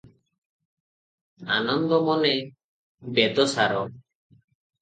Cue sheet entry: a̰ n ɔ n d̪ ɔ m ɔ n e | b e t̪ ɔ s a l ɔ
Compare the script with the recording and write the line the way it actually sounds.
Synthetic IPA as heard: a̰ n ɔ n d̪ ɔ m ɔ n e | b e d̪ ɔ s a ɾ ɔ